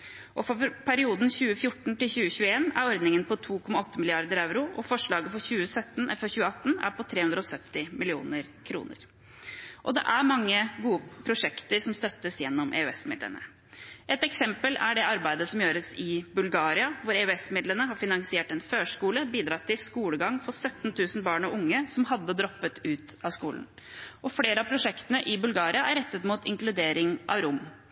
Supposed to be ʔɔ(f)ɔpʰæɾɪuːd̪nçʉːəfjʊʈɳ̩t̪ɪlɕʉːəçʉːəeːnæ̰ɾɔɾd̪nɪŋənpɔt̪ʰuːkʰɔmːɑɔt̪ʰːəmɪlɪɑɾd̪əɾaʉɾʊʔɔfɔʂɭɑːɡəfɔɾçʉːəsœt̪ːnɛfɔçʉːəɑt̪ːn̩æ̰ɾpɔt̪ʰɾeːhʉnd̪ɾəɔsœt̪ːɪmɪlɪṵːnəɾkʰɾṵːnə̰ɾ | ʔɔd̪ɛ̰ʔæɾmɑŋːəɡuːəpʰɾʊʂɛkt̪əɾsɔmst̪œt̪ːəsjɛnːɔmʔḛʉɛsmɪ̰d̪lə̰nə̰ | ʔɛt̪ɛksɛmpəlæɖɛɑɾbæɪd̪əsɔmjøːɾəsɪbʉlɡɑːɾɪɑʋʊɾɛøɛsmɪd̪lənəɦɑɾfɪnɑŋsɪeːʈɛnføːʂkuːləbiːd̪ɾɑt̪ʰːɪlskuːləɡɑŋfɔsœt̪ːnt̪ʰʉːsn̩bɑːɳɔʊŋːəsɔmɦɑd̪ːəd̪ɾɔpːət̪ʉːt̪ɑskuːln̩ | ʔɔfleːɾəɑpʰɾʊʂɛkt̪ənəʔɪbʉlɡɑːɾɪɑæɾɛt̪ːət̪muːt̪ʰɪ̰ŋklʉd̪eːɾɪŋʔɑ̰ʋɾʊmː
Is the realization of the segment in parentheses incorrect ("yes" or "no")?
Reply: no